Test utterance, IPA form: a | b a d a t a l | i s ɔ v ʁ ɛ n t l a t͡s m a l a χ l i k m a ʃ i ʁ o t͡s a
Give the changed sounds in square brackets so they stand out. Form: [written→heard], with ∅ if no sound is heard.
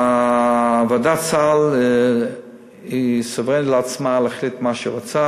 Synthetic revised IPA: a | [b→v] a d a [t→t͡s] a l | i s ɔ v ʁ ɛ n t l a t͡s m a l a χ l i [k→t] m a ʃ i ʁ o t͡s a